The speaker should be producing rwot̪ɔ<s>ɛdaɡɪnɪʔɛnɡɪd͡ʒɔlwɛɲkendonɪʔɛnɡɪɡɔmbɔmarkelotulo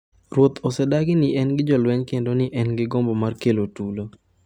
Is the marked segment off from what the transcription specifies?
no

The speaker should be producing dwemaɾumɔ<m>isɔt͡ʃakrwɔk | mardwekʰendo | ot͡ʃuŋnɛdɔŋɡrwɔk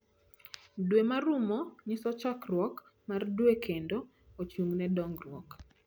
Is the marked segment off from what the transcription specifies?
yes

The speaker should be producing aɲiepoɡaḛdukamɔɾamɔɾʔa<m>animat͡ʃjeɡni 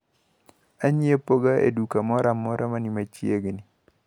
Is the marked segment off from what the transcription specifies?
no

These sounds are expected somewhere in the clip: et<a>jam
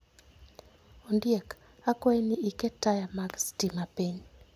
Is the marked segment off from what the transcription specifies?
no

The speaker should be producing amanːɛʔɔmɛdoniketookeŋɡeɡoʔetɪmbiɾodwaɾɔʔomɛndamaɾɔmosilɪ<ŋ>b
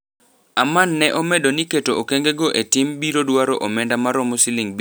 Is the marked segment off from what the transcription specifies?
no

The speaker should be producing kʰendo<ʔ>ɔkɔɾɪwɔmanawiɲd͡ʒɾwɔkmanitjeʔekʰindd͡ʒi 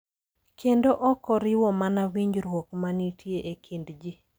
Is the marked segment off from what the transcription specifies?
no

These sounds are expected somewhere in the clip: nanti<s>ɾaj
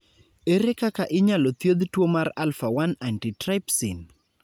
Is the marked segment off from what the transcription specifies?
yes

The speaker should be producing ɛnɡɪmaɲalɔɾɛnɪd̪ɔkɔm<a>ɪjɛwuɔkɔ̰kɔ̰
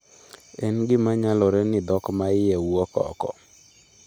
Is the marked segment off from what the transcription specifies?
no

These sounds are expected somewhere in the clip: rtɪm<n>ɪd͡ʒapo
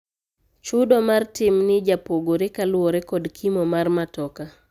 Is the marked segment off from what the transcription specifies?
no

